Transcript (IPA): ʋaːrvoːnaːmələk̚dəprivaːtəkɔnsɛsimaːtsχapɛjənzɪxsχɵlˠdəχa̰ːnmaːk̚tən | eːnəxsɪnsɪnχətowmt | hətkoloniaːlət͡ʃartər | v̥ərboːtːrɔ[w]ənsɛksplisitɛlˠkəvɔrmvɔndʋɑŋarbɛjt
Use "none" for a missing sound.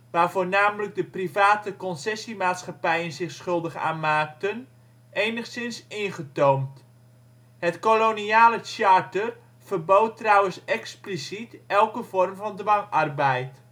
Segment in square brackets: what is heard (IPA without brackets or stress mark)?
w